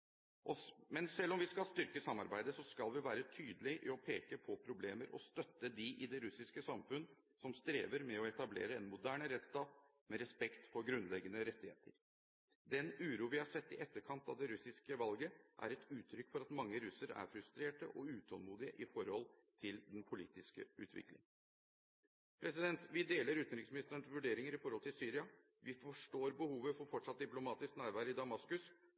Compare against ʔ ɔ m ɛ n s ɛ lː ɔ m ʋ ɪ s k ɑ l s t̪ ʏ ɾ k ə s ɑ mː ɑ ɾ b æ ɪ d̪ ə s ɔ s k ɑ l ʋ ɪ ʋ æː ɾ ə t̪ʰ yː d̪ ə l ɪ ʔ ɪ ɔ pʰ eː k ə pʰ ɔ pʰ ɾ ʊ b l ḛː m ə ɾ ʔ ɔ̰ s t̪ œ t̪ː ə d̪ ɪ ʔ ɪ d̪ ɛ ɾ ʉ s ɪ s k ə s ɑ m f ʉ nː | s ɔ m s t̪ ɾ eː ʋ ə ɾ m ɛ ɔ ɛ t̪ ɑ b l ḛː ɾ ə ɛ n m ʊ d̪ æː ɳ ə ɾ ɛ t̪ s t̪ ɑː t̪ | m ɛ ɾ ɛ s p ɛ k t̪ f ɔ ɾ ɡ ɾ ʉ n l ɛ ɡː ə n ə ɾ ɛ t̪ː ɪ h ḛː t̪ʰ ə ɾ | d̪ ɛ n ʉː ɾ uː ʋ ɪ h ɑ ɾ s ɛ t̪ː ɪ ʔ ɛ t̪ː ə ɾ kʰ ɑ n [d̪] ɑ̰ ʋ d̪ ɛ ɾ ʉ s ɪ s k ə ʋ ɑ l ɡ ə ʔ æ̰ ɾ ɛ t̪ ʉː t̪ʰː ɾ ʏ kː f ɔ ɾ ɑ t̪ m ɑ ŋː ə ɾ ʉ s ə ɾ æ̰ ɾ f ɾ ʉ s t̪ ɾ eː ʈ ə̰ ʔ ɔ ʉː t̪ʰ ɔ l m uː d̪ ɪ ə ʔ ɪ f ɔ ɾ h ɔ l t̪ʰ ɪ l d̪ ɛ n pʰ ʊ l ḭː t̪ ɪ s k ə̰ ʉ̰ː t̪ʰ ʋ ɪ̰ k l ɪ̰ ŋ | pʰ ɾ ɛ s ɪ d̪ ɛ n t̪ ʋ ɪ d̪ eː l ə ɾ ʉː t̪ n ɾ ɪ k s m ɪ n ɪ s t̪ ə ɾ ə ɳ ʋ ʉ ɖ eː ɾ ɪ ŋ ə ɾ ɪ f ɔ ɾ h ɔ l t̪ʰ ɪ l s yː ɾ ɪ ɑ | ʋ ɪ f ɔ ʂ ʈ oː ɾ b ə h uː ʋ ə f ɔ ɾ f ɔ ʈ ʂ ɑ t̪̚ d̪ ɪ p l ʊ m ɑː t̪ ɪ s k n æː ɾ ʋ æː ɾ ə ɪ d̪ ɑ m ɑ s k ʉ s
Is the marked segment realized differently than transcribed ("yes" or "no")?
yes